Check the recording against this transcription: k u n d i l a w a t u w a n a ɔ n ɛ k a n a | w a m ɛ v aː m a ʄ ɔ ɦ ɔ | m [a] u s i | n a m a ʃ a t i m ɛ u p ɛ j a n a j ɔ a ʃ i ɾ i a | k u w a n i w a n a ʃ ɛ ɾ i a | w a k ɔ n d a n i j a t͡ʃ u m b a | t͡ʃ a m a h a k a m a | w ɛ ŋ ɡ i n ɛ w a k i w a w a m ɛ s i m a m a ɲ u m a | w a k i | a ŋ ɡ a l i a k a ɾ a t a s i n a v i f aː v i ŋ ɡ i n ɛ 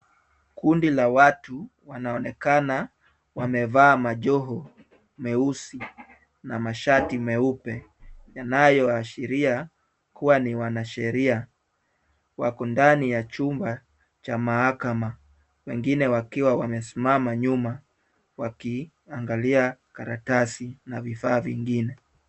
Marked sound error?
yes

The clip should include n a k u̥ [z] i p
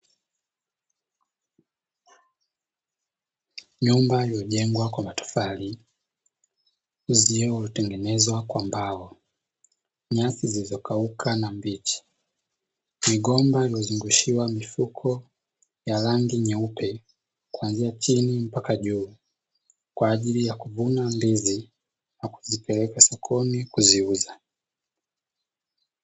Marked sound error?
no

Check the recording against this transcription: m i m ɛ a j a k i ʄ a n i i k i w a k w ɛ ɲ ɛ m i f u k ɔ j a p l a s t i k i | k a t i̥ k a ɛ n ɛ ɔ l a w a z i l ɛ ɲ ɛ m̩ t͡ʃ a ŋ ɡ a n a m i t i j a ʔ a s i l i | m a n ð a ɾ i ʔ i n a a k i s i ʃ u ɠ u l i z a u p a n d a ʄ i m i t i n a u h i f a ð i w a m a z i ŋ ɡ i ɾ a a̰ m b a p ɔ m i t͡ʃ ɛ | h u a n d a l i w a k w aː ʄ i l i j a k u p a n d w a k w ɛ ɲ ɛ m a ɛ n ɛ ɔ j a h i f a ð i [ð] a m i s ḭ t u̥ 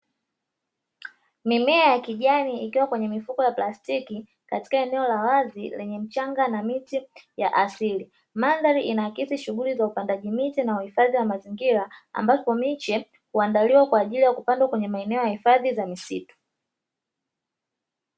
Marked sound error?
yes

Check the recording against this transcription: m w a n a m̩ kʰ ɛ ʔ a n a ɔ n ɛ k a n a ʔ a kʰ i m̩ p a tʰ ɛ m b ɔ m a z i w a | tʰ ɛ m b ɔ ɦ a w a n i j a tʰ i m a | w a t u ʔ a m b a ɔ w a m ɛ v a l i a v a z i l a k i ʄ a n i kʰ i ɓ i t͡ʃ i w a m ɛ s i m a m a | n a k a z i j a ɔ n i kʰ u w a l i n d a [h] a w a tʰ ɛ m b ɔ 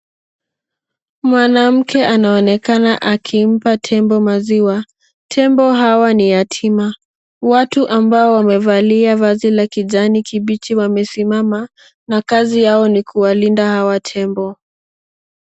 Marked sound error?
no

